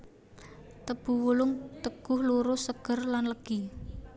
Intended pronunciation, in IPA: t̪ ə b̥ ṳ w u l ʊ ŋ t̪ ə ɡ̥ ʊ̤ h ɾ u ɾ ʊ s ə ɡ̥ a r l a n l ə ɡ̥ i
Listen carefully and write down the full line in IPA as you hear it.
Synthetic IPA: t̪ ə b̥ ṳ w u l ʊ ŋ t̪ ə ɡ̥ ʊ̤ h l u ɾ ʊ s ə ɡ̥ ə r l a n l ə ɡ̥ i